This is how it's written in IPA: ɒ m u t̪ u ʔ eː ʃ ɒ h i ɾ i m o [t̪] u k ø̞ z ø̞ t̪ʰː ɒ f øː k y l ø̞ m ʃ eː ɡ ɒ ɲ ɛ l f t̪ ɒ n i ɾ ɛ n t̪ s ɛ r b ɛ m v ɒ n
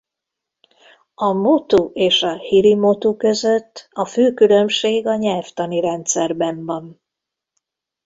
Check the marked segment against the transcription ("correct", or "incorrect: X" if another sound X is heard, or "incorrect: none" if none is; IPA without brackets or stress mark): correct